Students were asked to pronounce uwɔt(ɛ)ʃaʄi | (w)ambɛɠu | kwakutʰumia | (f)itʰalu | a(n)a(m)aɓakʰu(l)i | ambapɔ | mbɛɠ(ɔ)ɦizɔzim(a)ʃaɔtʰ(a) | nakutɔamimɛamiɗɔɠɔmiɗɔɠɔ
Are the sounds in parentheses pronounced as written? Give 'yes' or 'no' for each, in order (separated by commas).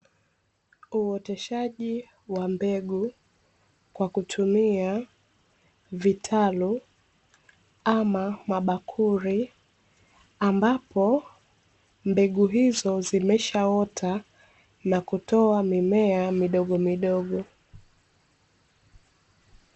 yes, yes, no, no, yes, no, no, no, yes